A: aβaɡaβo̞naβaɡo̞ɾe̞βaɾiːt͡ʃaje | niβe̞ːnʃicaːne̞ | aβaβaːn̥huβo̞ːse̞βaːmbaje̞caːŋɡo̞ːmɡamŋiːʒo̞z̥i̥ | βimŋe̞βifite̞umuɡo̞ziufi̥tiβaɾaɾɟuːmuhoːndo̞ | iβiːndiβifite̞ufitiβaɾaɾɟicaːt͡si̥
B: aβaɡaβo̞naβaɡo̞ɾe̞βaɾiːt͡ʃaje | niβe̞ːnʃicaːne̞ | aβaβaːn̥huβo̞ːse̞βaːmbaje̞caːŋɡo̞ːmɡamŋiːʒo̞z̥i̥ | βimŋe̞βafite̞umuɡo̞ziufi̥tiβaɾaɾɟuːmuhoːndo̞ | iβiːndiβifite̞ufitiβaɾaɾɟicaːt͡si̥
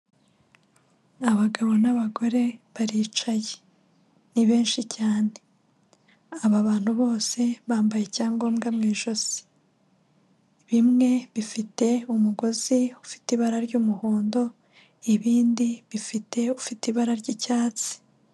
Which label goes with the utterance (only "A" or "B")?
A